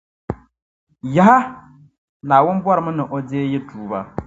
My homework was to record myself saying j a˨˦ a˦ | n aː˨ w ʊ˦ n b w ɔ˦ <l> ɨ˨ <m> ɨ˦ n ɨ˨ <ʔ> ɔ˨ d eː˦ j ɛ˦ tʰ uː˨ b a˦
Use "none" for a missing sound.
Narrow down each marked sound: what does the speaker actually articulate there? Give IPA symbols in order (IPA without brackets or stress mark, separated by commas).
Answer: ɾ, m, ʔ